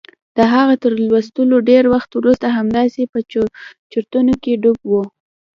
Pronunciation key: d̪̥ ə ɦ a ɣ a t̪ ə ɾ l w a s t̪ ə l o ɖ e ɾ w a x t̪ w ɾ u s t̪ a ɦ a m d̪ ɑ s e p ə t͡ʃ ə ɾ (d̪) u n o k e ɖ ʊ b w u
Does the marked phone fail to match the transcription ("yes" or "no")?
yes